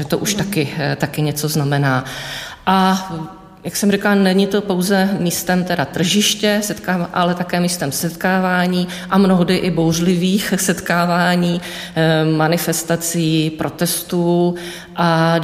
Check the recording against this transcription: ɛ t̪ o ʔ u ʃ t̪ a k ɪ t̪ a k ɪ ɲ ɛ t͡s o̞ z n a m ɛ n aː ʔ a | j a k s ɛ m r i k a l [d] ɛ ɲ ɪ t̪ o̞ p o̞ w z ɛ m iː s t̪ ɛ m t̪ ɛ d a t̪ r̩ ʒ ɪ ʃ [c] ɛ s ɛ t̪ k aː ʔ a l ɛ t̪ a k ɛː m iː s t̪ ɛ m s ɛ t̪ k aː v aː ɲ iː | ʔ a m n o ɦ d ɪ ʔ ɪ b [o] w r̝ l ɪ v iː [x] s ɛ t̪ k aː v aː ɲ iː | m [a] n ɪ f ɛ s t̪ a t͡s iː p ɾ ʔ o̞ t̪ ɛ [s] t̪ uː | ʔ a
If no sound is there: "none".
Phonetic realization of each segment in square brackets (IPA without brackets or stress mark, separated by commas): n, c, o, x, a, s